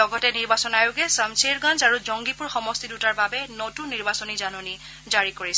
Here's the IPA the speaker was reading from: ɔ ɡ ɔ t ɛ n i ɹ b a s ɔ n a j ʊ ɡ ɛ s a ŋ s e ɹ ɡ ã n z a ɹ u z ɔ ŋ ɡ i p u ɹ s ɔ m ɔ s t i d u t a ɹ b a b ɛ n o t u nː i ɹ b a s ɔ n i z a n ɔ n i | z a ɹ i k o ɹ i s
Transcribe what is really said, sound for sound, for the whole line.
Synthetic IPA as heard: ɔ ɡ ɔ t ɛ n i ɹ b a s ɔ n a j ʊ ɡ ɛ s a m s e ɹ ɡ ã n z a ɹ u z ɔ ŋ ɡ i p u ɹ x ɔ m ɔ s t i d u t a ɹ b a b ɛ n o t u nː i ɹ b a s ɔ n i z a n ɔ n i | z a ɹ i k o ɹ i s